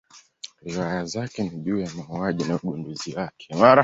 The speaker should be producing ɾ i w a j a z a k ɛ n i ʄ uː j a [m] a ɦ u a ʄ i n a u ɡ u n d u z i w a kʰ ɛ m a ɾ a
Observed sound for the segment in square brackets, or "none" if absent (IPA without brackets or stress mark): m